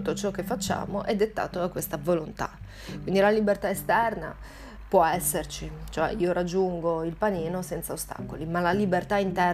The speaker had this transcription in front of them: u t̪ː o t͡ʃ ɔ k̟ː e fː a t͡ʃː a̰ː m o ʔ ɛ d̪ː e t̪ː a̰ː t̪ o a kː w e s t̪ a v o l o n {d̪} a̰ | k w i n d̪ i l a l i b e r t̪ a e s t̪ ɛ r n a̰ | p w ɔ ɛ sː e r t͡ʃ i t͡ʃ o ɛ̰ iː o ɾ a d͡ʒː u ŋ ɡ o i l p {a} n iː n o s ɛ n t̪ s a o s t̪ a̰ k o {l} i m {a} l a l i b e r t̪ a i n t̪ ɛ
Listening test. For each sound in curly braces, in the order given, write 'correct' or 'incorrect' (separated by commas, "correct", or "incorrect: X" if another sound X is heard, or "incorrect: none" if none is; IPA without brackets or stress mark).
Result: incorrect: t̪, correct, correct, correct